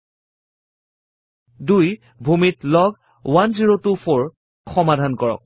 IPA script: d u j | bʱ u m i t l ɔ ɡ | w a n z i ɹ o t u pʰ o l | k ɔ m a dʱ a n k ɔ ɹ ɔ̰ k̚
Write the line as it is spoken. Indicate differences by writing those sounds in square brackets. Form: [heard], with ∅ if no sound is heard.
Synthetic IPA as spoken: d u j | bʱ u m i t l ɔ ɡ | w a n z i ɹ o t u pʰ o [ɹ] | [x] ɔ m a dʱ a n k ɔ ɹ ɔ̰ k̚

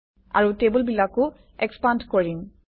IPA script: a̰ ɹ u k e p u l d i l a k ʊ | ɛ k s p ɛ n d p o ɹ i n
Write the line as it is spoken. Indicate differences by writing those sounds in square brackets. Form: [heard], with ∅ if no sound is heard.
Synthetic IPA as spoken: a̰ ɹ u [t] e [b] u l [b] i l a k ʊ | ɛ k s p [a] n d [k] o ɹ i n

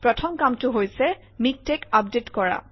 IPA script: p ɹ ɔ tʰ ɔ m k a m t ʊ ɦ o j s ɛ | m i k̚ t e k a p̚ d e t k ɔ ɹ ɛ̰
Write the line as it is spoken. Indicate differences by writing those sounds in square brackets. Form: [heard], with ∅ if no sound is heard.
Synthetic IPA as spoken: p ɹ ɔ tʰ ɔ m k a m t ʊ ɦ o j s ɛ | m i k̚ t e k a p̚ d e t k ɔ ɹ [a̰]

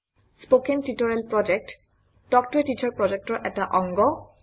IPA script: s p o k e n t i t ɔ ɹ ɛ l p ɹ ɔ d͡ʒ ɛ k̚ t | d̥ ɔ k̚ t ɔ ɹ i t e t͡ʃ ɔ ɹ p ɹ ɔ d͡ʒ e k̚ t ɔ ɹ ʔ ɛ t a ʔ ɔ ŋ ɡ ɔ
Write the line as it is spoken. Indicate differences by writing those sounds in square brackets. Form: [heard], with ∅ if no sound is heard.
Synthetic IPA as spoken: s p o k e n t i t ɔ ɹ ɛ l p ɹ ɔ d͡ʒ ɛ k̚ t | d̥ ɔ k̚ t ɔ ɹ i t [i] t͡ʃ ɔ ɹ p ɹ ɔ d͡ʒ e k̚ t ɔ ɹ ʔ ɛ t a ʔ ɔ ŋ ɡ ɔ

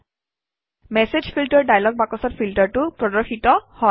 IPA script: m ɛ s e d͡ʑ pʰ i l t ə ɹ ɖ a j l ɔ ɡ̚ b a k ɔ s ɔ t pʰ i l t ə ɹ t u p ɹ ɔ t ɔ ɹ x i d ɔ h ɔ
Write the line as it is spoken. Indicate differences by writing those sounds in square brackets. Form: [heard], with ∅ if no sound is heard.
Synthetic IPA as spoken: m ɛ s e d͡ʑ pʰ i l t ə ɹ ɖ a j l ɔ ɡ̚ b a k ɔ s ɔ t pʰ i l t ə ɹ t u p ɹ ɔ [d] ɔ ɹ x i [t] ɔ h ɔ

